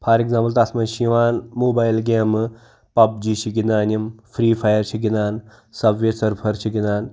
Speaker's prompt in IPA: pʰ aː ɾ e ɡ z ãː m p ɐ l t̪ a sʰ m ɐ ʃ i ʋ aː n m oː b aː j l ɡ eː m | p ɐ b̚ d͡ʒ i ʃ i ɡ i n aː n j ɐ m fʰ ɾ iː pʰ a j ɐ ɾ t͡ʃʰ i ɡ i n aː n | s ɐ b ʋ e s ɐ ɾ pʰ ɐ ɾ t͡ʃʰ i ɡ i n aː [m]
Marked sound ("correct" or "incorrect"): incorrect